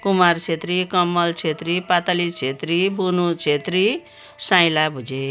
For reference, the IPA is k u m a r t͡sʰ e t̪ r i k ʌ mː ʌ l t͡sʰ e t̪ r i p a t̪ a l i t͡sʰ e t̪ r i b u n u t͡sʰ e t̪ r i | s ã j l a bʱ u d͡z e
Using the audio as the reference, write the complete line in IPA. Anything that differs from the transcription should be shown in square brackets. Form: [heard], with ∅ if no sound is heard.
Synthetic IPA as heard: k u m a r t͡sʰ e t̪ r i k ʌ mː ʌ l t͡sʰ e t̪ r i p a t̪ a l i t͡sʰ e t̪ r i b u n u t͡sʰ e t̪ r i | s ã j l a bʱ u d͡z e